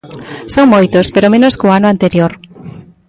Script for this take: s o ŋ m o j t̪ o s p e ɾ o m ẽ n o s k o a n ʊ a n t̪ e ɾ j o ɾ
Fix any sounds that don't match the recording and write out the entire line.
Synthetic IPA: s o ŋ m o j t̪ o s p e ɾ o m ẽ n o s k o a n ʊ a n t̪ e ɾ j o ɾ